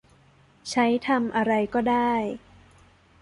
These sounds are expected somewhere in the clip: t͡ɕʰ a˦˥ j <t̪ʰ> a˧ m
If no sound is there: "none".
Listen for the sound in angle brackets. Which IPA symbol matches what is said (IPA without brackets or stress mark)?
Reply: t̪ʰ